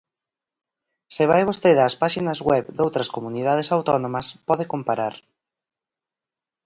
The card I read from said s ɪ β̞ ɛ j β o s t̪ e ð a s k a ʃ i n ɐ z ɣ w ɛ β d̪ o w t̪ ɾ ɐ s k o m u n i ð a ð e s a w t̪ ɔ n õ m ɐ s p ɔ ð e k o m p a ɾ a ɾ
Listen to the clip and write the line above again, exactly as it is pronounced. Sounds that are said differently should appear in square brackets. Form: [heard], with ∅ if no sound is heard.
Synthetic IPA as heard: s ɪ β̞ [a] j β o s t̪ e ð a s [p] a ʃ i n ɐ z ɣ w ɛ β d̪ o w t̪ ɾ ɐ s k o m u n i ð a ð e s a w t̪ ɔ n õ m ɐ s p ɔ ð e k o m p a ɾ a ɾ